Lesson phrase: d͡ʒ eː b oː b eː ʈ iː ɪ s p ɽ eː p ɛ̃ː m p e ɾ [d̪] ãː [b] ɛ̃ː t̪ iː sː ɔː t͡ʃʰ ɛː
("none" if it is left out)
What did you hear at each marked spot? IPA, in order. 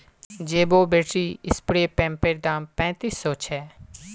d̪, p

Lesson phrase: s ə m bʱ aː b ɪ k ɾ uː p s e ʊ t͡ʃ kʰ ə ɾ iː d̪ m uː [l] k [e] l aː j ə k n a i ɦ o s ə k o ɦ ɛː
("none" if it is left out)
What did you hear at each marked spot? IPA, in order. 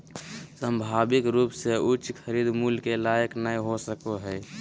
l, e

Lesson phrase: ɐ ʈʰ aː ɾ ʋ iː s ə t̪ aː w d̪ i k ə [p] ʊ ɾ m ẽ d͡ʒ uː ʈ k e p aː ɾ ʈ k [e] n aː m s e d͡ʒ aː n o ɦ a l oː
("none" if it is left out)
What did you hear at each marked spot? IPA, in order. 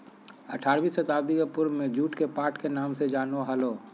p, e

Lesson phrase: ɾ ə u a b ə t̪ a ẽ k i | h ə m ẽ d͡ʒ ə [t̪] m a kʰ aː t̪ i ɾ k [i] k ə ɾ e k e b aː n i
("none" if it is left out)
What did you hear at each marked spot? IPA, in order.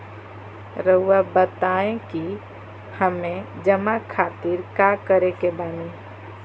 none, a

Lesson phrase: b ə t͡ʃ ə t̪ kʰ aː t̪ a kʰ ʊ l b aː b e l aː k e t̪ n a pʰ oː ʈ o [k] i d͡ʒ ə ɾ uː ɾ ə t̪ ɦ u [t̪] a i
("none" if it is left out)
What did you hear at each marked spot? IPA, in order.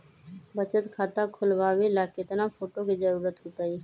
k, t̪

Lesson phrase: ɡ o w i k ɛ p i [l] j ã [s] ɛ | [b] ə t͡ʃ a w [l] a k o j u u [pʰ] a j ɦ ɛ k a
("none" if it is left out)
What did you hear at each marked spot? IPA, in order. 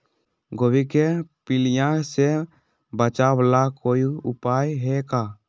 l, s, b, l, p

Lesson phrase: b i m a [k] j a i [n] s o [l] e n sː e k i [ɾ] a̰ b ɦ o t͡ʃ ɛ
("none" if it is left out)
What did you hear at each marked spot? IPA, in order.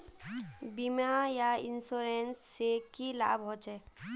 none, n, ɾ, l

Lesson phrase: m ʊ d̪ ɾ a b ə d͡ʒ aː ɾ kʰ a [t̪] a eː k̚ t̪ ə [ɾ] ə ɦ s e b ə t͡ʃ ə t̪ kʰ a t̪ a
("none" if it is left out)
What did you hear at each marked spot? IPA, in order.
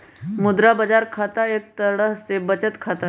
t̪, ɽ

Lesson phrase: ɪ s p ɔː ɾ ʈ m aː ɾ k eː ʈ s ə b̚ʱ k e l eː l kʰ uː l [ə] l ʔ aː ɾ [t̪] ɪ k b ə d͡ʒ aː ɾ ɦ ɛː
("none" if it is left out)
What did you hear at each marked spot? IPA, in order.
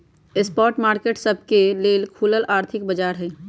ə, t̪ʰ

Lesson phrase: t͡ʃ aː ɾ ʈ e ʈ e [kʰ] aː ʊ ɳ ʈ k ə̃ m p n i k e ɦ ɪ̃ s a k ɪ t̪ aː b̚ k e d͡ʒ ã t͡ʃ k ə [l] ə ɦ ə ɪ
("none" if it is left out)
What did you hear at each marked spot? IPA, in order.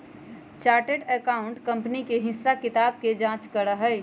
k, ɾ

